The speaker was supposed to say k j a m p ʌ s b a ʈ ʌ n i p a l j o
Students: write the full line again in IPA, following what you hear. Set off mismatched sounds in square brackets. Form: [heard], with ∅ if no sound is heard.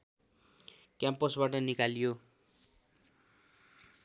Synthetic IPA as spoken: k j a m p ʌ s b a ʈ ʌ n i [k] a l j o